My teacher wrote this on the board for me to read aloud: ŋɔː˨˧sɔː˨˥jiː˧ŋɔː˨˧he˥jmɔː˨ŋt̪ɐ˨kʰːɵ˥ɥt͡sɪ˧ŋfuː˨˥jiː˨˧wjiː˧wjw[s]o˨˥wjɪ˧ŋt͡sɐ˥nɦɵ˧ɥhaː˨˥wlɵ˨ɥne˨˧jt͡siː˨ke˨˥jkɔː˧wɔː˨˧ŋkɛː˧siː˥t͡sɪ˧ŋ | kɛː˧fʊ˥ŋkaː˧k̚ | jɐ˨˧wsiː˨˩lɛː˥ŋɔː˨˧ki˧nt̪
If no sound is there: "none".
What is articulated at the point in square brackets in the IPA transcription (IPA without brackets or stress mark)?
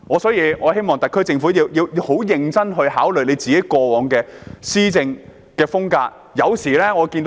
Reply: h